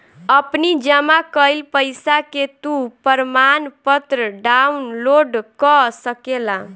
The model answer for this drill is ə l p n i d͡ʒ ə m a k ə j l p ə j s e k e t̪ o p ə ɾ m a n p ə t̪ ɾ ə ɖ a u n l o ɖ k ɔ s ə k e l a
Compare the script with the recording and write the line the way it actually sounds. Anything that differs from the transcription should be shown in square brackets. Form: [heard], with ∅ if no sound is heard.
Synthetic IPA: ə [∅] p n i d͡ʒ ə m a k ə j l p ə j s [a] k e t̪ [u] p ə ɾ m a n p ə t̪ ɾ ə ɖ a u n l o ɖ k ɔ s ə k e l a

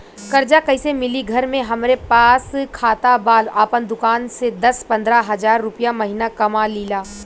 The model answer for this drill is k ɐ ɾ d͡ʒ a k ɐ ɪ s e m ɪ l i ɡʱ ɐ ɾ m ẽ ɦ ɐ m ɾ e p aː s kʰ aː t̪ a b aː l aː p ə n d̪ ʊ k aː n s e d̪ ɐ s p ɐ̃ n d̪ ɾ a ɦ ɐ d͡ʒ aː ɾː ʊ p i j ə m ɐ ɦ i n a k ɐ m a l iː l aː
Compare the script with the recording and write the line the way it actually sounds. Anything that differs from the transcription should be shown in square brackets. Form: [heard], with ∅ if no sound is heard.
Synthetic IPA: k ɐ ɾ d͡ʒ a k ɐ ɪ s e m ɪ l i ɡʱ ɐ ɾ m ẽ ɦ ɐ m ɾ e p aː s kʰ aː t̪ a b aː l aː p ə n d̪ ʊ k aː n s e d̪ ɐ s p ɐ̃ n d̪ ɾ a ɦ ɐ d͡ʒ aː ɾː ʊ p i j [a] m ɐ ɦ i n a k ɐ m a l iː l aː

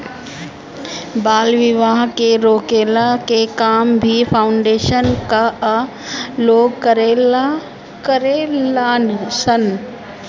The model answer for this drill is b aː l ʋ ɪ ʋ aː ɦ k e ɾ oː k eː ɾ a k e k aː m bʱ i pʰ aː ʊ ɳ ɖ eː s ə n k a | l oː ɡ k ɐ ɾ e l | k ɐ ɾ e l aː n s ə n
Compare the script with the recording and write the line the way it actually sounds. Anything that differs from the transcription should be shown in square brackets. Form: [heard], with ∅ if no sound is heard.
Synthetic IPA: b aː l ʋ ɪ ʋ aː ɦ k e ɾ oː k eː [l] a k e k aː m bʱ i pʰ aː ʊ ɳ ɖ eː [ʃ] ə n k a | l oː ɡ k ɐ ɾ e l | k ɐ ɾ e l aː n s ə n

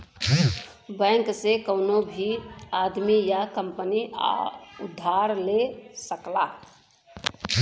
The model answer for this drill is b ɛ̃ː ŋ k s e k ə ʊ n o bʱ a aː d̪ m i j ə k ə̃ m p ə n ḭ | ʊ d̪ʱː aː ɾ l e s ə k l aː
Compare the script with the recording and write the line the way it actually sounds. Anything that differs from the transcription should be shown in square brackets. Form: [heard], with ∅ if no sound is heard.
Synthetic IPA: b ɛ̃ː ŋ k s e k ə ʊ n o bʱ [i] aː d̪ m i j [a] k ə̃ m p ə n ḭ | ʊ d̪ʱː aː ɾ l e s ə k l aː

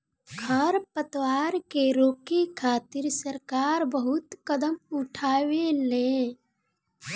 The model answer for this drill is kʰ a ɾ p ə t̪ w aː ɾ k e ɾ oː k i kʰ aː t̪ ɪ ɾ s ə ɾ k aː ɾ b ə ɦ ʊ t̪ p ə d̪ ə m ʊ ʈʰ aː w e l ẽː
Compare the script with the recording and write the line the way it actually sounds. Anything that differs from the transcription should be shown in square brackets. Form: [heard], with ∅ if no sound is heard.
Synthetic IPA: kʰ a ɾ p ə t̪ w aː ɾ k e ɾ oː k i kʰ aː t̪ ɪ ɾ s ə ɾ k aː ɾ b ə ɦ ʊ t̪ [k] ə d̪ ə m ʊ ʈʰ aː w e l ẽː

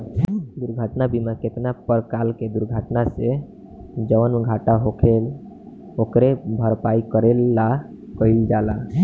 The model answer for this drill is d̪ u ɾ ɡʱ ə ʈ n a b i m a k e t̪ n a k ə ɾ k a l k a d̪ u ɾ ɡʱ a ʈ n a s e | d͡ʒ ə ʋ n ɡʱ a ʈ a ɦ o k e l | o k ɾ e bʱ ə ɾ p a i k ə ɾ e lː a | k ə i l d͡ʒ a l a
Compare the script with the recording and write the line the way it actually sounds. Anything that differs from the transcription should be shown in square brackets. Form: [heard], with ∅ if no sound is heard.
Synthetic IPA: d̪ u ɾ ɡʱ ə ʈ n a b i m a k e t̪ n a [p] ə ɾ k a l k [e] d̪ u ɾ ɡʱ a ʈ n a s e | d͡ʒ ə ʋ n ɡʱ a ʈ a ɦ o [kʰ] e l | o k ɾ e bʱ ə ɾ p a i k ə ɾ e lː a | k ə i l d͡ʒ a l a

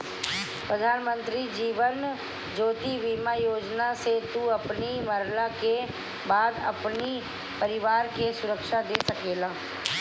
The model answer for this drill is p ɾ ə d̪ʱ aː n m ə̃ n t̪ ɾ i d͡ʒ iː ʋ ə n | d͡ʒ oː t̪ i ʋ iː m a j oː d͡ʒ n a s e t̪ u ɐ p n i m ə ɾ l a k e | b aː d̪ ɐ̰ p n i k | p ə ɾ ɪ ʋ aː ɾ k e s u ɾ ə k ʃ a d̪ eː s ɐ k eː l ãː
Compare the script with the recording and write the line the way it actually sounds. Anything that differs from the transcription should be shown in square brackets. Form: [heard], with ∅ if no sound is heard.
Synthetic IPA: p ɾ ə d̪ʱ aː n m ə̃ n t̪ ɾ i d͡ʒ iː ʋ ə n | d͡ʒ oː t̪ i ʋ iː m a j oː d͡ʒ n a s e t̪ u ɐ p n i m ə ɾ l a k e | b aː d̪ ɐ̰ p n i [∅] | p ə ɾ ɪ ʋ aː ɾ k e s [ʊ] ɾ ə k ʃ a d̪ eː s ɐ k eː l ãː

